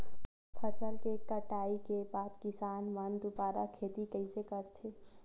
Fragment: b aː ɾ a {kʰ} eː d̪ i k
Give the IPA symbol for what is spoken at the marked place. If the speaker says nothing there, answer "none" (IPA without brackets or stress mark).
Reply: kʰ